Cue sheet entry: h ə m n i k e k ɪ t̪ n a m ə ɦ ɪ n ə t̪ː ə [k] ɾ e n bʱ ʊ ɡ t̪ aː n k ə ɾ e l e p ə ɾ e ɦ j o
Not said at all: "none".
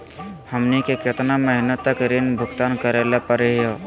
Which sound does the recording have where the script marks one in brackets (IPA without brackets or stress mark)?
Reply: k